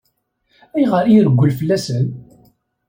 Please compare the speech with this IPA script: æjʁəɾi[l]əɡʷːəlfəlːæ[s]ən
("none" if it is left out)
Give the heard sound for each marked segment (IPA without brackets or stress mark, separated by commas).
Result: ɾ, s